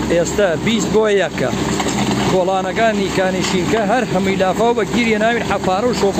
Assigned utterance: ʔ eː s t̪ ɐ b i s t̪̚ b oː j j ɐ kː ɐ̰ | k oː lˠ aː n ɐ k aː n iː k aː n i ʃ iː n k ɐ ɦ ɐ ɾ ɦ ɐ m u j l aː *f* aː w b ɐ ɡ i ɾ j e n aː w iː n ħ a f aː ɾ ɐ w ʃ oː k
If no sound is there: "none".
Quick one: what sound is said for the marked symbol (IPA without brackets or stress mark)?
f